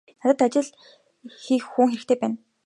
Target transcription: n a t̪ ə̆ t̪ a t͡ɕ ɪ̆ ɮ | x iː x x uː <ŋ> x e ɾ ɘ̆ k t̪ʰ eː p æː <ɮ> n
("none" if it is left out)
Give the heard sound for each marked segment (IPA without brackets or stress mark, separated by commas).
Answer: ŋ, none